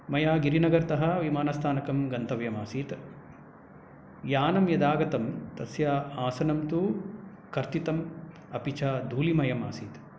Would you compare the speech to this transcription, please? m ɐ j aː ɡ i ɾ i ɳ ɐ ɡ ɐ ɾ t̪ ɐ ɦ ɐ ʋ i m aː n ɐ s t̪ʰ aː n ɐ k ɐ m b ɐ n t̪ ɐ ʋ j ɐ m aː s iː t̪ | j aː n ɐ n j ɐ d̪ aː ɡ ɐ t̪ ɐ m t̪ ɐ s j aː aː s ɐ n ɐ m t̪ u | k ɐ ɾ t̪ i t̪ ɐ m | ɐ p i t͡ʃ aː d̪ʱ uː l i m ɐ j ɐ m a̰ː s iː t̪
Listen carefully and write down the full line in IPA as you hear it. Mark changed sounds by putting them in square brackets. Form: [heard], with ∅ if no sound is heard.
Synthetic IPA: m ɐ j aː ɡ i ɾ i [n] ɐ ɡ ɐ ɾ t̪ ɐ ɦ ɐ ʋ i m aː n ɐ s t̪ʰ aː n ɐ k ɐ m [ɡ] ɐ n t̪ ɐ ʋ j ɐ m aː s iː t̪ | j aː n ɐ [m] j ɐ d̪ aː ɡ ɐ t̪ ɐ m t̪ ɐ s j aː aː s ɐ n ɐ m t̪ u | k ɐ ɾ t̪ i t̪ ɐ m | ɐ p i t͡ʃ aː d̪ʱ uː l i m ɐ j ɐ m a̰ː s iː t̪